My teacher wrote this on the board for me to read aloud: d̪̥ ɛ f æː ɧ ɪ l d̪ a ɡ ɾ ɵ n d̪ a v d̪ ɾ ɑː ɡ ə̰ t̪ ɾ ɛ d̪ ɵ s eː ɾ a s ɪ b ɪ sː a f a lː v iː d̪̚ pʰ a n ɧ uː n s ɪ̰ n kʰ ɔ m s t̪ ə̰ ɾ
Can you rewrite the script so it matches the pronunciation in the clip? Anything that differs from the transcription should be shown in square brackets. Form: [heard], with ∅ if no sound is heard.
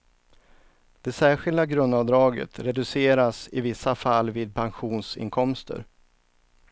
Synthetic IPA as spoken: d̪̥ ɛ [s] æː ɧ ɪ l d̪ a ɡ ɾ ɵ n d̪ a v d̪ ɾ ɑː ɡ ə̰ t̪ ɾ ɛ d̪ ɵ s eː ɾ a s ɪ [v] ɪ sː a f a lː v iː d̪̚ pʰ a n ɧ uː n s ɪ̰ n kʰ ɔ m s t̪ ə̰ ɾ